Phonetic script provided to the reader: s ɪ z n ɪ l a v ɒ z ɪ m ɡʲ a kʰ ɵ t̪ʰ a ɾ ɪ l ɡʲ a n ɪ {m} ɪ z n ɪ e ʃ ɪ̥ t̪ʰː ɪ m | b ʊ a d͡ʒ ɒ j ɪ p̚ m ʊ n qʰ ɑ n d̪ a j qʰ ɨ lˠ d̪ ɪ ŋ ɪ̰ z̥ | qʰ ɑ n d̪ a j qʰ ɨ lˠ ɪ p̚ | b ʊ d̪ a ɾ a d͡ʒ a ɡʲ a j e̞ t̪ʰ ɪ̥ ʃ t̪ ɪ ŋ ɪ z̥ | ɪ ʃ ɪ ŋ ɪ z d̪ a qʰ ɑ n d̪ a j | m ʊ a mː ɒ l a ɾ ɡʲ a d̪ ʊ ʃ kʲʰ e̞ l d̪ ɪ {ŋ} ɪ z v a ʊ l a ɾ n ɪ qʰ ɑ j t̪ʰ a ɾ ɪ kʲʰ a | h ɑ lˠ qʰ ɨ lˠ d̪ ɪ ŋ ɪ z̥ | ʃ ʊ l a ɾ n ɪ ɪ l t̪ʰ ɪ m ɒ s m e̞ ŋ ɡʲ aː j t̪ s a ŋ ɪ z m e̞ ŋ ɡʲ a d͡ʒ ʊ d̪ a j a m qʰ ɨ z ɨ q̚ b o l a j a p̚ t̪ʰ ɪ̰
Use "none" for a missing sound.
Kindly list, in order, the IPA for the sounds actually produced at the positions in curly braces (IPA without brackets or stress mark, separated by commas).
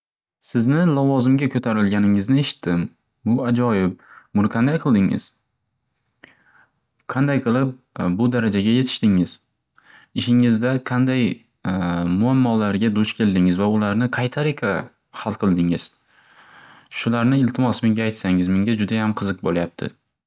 ŋ, ŋ